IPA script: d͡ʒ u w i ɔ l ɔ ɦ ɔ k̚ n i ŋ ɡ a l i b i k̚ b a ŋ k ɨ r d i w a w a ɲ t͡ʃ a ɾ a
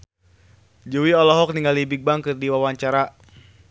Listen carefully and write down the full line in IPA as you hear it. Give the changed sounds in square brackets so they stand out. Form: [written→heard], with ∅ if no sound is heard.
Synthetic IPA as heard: d͡ʒ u w i ɔ l ɔ ɦ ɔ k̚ n i ŋ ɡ a l i b i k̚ b a ŋ k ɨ r d i w a w a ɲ t͡ʃ a ɾ a